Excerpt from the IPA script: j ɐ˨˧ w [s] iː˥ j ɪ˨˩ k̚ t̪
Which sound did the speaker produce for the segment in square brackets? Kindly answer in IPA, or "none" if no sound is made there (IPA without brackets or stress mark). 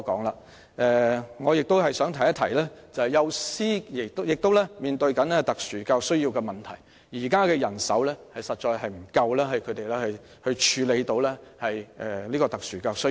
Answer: s